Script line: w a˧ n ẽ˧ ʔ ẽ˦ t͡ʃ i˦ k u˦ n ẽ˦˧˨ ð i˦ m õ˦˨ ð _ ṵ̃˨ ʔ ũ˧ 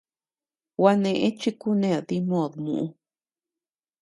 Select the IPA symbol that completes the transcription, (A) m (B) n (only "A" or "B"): A